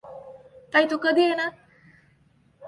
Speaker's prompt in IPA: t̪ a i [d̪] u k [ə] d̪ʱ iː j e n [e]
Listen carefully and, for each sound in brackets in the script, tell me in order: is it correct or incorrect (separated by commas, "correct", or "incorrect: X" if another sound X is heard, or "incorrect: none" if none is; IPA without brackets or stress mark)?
incorrect: t̪, correct, incorrect: a